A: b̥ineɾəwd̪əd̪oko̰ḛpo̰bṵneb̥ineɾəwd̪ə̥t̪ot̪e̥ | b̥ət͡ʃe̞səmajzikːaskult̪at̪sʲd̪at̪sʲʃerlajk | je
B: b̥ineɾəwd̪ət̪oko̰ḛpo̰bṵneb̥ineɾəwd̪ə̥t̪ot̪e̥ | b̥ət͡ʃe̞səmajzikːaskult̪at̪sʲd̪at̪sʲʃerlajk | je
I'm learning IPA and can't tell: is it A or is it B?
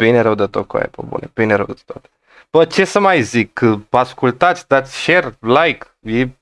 B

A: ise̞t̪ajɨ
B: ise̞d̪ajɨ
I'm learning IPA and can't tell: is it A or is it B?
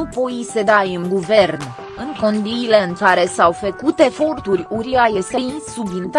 B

